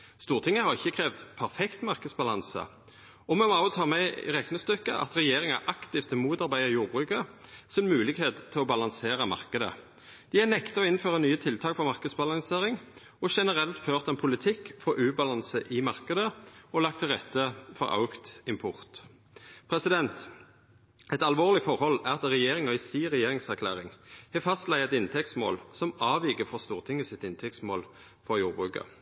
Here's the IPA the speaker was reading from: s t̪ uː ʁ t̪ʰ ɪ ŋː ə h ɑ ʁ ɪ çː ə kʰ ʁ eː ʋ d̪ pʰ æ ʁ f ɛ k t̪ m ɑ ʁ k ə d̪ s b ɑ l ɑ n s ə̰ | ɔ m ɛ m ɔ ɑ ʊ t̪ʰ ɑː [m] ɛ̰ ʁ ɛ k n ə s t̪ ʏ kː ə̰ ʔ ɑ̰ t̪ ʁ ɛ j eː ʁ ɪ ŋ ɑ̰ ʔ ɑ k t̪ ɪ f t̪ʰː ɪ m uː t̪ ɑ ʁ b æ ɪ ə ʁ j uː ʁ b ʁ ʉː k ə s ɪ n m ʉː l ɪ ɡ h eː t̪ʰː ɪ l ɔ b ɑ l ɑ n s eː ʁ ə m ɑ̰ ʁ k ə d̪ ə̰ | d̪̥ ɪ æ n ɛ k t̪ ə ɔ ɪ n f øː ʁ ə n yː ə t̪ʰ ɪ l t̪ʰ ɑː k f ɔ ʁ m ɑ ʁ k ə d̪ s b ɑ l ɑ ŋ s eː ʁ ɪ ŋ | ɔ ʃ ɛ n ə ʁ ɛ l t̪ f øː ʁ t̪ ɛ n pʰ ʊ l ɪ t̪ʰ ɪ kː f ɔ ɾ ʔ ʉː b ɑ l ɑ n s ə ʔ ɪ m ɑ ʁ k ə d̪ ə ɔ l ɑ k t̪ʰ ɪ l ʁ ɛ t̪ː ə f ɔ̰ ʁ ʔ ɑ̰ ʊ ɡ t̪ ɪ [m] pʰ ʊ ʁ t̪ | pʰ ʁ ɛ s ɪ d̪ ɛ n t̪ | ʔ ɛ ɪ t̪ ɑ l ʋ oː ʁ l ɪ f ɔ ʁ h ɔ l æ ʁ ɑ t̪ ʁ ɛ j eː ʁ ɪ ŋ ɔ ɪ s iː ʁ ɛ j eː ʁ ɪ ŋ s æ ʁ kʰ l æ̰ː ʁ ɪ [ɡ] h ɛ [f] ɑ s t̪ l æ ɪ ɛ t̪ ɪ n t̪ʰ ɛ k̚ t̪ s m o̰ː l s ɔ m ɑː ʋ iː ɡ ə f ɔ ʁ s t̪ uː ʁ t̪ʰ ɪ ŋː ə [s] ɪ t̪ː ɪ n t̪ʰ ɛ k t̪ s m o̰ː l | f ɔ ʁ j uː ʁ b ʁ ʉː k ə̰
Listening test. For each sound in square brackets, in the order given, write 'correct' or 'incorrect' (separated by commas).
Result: correct, correct, incorrect, correct, correct